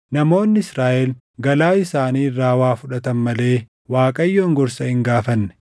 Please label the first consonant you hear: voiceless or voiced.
voiced